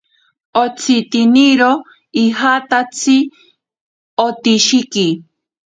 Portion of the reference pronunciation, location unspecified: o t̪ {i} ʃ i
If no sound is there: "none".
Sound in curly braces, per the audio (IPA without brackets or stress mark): i